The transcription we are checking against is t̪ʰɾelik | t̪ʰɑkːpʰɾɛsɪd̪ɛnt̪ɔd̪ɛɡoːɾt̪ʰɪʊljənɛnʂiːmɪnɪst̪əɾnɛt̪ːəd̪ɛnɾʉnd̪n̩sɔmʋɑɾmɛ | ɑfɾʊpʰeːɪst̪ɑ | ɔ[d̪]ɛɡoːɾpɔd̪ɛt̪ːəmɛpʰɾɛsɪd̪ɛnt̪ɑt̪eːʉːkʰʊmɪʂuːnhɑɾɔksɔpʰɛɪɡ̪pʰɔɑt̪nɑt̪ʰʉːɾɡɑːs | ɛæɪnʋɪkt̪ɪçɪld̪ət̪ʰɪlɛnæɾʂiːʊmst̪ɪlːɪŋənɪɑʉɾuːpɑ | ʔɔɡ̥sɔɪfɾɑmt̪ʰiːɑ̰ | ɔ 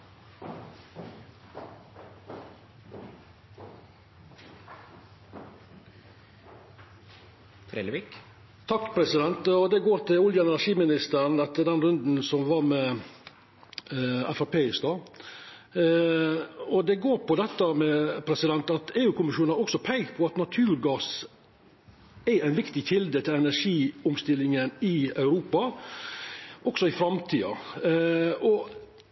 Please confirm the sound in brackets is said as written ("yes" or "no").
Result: yes